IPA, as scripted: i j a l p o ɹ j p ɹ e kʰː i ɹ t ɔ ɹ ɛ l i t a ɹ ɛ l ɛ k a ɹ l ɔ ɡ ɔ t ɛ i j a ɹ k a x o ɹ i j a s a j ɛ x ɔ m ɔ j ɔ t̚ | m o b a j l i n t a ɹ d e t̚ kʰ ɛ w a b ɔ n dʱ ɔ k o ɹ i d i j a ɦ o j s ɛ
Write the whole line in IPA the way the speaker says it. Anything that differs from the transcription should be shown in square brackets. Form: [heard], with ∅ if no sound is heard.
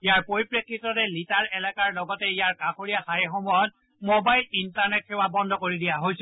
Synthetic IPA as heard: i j a [ɹ] p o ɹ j p ɹ e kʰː i [∅] t ɔ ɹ ɛ l i t a ɹ ɛ l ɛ k a ɹ l ɔ ɡ ɔ t ɛ i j a ɹ k a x o ɹ i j a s a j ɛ x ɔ m ɔ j ɔ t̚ | m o b a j l i n t a ɹ [n] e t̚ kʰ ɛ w a b ɔ n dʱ ɔ k o ɹ i d i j a ɦ o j s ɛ